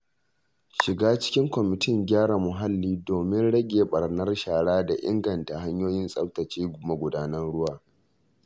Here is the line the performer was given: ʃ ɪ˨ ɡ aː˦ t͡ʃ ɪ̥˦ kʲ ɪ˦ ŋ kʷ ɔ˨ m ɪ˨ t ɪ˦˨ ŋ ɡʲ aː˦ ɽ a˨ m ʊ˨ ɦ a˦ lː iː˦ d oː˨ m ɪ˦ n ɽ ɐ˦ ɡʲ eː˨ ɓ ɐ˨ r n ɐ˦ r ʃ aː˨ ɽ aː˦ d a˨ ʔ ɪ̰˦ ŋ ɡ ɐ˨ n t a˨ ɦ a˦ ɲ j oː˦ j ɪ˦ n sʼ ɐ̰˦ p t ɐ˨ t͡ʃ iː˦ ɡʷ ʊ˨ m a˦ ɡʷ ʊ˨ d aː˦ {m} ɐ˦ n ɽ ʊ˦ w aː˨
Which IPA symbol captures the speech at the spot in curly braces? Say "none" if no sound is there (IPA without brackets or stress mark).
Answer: n